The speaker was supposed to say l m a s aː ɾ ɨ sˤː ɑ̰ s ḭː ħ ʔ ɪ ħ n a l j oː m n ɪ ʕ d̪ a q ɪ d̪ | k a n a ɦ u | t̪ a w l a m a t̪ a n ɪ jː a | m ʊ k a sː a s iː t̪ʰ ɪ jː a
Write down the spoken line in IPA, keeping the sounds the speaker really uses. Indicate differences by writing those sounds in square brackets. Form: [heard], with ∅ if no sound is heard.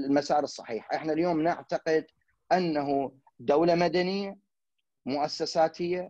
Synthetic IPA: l m a s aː ɾ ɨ sˤː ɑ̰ [ħ] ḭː ħ ʔ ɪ ħ n a l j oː m n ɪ ʕ [t̪] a q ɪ d̪ | [ʔ] a [nː] a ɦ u | [d̪] a w l a m a [d̪] a n ɪ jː a | m ʊ [ʔ] a sː a s [aː] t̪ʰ ɪ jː a